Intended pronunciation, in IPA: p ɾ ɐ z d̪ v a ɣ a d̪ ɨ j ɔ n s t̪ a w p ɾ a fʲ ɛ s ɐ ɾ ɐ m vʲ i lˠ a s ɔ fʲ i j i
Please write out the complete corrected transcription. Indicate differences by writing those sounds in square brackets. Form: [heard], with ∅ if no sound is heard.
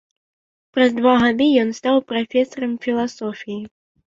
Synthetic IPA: p ɾ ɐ z d̪ v a ɣ a d̪ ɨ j ɔ n s t̪ a w p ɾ a fʲ ɛ s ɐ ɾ ɐ m [fʲ] i lˠ a s ɔ fʲ i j i